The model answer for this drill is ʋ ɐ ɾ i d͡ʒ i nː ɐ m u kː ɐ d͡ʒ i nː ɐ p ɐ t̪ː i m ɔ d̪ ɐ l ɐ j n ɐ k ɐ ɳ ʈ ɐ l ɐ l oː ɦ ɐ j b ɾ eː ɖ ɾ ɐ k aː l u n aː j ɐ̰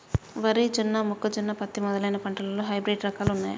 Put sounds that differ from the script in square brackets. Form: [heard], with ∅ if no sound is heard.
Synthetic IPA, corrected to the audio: ʋ ɐ ɾ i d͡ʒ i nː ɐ m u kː ɐ d͡ʒ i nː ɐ p ɐ t̪ː i m ɔ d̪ ɐ l ɐ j n ɐ [p] ɐ ɳ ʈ ɐ l ɐ l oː ɦ ɐ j b ɾ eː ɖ ɾ ɐ k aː l u [nː] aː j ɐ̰

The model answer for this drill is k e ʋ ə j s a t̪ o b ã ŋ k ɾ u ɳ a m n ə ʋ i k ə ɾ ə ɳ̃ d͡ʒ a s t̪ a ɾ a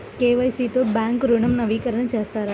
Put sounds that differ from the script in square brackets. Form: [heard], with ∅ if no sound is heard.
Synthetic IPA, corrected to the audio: k e ʋ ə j s [i] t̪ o b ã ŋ k ɾ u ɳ [ə] m n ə ʋ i k ə ɾ ə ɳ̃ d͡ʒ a s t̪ a ɾ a

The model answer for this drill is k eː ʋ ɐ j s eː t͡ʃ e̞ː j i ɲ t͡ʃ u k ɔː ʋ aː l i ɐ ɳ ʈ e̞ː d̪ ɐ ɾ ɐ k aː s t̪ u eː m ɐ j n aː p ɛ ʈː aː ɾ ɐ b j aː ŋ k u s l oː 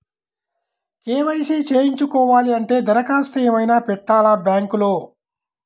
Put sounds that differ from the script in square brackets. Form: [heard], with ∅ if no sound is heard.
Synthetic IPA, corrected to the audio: k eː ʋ ɐ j s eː t͡ʃ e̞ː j i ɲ t͡ʃ u k ɔː ʋ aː l i ɐ ɳ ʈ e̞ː d̪ ɐ ɾ ɐ k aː s t̪ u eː m ɐ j n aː p ɛ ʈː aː [l] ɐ b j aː ŋ k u [∅] l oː

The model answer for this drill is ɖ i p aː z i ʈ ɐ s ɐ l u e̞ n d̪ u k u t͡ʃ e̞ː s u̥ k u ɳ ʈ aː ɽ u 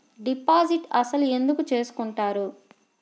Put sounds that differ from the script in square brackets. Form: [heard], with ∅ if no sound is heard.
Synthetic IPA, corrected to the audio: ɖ i p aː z i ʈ ɐ s ɐ l u e̞ n d̪ u k u t͡ʃ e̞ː s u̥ k u ɳ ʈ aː [ɾ] u

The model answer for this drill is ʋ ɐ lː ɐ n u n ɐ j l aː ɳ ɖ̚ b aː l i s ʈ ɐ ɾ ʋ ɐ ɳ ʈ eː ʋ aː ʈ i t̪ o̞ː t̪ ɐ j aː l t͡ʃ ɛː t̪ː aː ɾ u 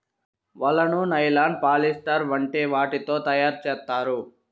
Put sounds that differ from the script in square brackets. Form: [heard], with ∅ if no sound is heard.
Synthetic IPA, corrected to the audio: ʋ ɐ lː ɐ n u n ɐ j l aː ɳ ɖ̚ [p] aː l i s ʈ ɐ ɾ ʋ ɐ ɳ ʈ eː ʋ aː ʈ i t̪ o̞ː t̪ ɐ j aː [ɾ] t͡ʃ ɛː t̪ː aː ɾ u

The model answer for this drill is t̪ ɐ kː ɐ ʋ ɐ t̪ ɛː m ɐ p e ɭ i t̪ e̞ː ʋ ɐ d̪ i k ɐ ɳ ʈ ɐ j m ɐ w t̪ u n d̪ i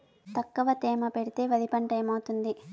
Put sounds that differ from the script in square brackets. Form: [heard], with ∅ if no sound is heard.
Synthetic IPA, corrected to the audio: t̪ ɐ kː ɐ ʋ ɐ t̪ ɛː m ɐ p e [ɽ] i t̪ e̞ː ʋ ɐ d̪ i [p] ɐ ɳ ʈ ɐ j m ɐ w t̪ u n d̪ i

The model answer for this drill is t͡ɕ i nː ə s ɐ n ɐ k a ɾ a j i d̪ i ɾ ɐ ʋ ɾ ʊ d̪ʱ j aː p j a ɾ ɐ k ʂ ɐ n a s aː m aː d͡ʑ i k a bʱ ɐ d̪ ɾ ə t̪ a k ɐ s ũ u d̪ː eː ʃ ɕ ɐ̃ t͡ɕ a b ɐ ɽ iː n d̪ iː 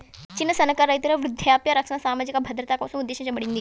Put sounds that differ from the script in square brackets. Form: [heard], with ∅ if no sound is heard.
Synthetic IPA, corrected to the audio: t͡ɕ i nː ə s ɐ n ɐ k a ɾ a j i [t̪] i ɾ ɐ ʋ ɾ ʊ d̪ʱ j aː p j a ɾ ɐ k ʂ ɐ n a s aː m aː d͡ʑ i k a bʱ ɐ d̪ ɾ ə t̪ a k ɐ s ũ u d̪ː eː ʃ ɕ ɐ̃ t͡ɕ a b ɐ ɽ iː n d̪ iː

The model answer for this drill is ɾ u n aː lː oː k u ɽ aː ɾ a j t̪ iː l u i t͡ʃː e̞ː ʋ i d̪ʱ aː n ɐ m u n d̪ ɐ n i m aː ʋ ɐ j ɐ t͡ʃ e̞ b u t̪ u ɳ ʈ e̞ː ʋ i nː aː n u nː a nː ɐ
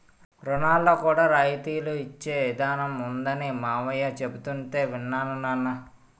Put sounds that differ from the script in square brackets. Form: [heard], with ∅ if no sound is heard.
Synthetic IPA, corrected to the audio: ɾ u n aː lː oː k [uː] ɽ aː ɾ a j t̪ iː l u i t͡ʃː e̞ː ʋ i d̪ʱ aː n ɐ m u n d̪ ɐ n i m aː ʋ ɐ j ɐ t͡ʃ e̞ b u t̪ u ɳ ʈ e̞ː ʋ i nː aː n u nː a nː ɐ

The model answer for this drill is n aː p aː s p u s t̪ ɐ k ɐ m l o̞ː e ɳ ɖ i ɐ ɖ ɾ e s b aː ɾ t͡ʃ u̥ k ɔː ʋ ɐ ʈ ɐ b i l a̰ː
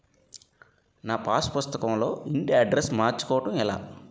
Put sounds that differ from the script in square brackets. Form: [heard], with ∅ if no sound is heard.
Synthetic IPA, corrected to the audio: n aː p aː s p u s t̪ ɐ k ɐ m l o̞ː [i] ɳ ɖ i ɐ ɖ ɾ e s [m] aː ɾ t͡ʃ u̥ k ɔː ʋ ɐ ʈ ɐ [m] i l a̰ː

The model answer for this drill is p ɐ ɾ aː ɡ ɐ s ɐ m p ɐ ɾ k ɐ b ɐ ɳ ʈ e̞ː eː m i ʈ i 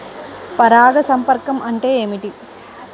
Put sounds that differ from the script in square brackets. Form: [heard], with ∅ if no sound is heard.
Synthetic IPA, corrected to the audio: p ɐ ɾ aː ɡ ɐ s ɐ m p ɐ ɾ k ɐ [m] ɐ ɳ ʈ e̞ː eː m i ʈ i

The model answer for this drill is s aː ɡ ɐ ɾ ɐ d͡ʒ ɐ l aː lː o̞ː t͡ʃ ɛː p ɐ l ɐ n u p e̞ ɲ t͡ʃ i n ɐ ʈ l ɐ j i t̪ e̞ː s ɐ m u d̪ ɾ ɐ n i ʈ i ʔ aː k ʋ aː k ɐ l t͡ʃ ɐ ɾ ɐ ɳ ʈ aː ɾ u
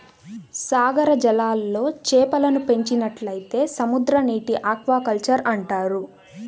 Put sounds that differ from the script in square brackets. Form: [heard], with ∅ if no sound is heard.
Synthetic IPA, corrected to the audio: s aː ɡ ɐ ɾ ɐ d͡ʒ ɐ l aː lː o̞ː t͡ʃ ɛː p ɐ l ɐ n u p e̞ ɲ t͡ʃ i n ɐ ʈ l ɐ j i t̪ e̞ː s ɐ m u d̪ ɾ ɐ n [iː] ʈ i ʔ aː k ʋ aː k ɐ l t͡ʃ ɐ ɾ ɐ ɳ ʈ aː ɾ u

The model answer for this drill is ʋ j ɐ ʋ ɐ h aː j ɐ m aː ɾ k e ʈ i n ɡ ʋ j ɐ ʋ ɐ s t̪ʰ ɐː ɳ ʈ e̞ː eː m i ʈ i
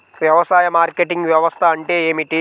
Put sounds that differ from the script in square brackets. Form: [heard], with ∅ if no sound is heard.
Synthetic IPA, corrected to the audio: ʋ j ɐ ʋ ɐ [s] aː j ɐ m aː ɾ k e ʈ i [ŋ] ɡ ʋ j ɐ ʋ ɐ s t̪ʰ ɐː ɳ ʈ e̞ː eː m i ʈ i

